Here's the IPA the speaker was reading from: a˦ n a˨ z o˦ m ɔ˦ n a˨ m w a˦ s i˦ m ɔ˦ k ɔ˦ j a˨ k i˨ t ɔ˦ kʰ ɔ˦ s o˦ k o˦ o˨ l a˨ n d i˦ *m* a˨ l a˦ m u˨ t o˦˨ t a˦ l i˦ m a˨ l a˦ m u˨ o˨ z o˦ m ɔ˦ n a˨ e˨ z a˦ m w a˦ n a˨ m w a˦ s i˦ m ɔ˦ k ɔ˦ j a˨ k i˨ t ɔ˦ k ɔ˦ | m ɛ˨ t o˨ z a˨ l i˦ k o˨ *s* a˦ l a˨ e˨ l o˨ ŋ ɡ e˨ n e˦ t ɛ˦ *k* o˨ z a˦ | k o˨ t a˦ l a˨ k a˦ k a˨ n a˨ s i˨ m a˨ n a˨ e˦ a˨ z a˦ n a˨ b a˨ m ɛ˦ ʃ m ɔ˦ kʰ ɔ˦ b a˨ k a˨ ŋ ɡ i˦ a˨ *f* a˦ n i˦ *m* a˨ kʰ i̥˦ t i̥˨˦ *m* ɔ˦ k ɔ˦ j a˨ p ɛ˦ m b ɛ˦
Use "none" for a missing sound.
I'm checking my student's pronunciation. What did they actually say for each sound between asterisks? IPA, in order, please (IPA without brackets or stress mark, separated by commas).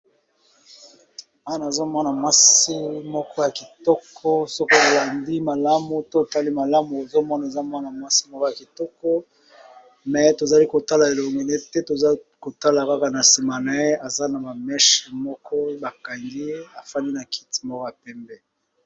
m, t, t, f, n, m